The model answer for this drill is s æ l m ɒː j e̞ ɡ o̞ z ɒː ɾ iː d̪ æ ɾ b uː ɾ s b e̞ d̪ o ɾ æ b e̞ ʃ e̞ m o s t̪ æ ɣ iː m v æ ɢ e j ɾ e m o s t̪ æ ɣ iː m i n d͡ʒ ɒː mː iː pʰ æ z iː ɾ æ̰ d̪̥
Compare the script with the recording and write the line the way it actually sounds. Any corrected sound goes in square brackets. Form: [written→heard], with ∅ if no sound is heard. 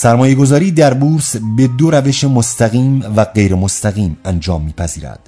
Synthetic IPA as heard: s æ [l→ɾ] m ɒː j e̞ ɡ o̞ z ɒː ɾ iː d̪ æ ɾ b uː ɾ s b e̞ d̪ o ɾ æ [b→v] e̞ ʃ e̞ m o s t̪ æ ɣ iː m v æ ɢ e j ɾ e m o s t̪ æ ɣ iː m [i→æ] n d͡ʒ ɒː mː iː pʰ æ z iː ɾ æ̰ d̪̥